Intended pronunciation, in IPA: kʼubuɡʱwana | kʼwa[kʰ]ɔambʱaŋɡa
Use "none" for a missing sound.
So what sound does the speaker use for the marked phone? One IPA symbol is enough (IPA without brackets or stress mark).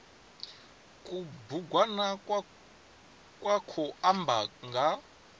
kʰ